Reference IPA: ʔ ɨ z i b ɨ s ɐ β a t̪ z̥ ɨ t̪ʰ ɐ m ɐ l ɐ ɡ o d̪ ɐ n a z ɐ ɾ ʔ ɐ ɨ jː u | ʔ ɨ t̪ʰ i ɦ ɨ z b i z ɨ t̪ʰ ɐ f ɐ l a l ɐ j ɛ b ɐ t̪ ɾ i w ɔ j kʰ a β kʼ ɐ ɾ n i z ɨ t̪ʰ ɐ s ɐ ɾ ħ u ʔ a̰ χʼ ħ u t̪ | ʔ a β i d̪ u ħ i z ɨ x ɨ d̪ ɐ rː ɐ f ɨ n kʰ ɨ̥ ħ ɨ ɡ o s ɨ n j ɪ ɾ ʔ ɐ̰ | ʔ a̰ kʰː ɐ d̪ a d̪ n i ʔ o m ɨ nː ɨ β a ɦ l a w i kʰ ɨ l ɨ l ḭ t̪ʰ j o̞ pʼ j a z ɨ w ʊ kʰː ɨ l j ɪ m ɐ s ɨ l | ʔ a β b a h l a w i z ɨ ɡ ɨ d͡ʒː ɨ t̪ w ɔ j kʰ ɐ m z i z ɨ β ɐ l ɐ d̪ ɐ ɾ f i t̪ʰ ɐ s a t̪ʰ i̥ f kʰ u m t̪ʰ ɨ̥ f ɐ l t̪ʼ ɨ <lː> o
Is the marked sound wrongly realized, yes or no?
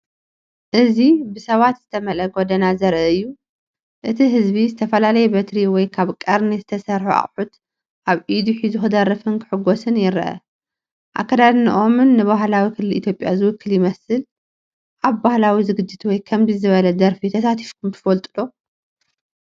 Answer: yes